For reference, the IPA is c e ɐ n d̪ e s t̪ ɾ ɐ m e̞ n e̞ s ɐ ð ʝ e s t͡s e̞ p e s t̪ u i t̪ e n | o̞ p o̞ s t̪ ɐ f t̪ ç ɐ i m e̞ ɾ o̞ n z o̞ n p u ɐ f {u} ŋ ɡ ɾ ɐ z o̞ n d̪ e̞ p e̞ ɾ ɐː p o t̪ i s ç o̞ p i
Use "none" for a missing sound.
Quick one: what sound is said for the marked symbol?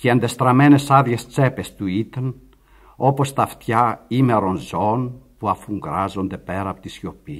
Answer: u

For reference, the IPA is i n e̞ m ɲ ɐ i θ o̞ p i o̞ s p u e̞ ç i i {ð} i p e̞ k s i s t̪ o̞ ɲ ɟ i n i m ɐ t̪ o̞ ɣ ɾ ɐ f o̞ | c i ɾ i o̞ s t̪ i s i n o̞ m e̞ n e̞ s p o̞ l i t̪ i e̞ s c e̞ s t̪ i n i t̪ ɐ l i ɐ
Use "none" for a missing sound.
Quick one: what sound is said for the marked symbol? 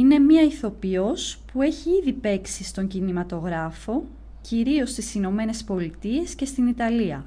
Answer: ð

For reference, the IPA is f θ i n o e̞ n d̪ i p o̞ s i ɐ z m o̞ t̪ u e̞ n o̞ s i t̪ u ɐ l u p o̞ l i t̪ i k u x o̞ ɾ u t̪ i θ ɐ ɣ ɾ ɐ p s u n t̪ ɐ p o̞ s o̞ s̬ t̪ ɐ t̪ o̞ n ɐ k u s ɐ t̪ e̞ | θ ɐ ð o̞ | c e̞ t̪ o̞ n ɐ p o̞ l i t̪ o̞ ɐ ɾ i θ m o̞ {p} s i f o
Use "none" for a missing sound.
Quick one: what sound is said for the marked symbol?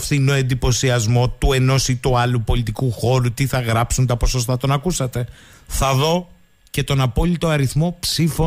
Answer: p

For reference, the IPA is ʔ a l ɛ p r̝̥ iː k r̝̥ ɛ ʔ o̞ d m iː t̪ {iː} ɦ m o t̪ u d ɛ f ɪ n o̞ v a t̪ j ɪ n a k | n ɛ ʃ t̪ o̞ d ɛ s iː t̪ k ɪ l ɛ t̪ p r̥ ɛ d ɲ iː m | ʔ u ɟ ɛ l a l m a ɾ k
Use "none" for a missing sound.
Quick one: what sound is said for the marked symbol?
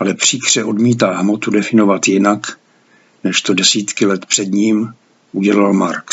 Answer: aː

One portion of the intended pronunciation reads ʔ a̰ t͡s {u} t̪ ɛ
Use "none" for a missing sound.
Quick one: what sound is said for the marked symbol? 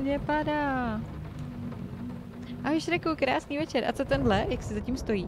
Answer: o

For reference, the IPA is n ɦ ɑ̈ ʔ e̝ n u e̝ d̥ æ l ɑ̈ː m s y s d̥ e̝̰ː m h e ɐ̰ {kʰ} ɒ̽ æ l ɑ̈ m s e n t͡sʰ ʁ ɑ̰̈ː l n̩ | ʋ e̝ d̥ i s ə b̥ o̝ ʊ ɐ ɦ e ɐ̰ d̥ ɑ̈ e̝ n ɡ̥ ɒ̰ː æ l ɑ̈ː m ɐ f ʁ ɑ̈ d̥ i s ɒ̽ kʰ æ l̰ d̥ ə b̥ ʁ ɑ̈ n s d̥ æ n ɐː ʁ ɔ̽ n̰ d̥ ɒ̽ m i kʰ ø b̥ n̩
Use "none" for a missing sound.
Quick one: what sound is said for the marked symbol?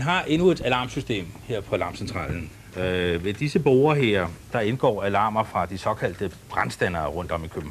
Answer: pʰ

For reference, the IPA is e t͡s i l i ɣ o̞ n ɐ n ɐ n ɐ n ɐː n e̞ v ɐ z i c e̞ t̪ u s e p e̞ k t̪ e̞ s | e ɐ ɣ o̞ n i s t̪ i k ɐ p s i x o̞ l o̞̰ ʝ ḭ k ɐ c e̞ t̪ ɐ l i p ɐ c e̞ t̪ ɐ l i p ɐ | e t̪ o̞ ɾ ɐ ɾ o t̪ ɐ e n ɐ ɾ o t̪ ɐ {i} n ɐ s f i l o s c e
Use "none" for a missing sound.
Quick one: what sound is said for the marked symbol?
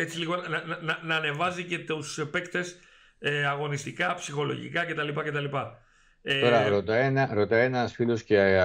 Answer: e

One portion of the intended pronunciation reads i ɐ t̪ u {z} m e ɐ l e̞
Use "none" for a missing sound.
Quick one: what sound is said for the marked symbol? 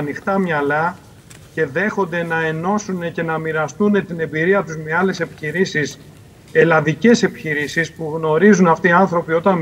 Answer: z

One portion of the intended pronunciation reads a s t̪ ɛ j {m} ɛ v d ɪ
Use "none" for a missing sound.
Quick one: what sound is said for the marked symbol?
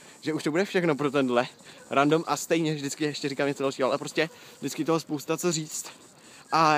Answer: ɲ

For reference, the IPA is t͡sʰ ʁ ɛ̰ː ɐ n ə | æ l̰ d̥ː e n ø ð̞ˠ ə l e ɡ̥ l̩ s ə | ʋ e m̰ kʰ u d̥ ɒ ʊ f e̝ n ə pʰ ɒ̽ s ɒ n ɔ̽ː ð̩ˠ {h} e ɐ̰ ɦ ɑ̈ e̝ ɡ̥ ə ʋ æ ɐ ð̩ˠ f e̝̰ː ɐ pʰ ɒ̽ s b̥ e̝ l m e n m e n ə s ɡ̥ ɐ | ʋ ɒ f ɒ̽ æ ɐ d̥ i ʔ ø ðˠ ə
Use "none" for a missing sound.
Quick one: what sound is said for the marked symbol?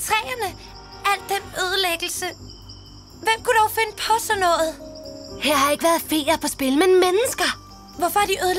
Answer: h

